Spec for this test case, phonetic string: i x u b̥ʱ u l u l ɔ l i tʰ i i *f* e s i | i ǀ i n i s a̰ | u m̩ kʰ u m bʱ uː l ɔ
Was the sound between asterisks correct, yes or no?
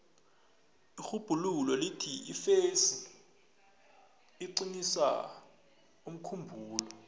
yes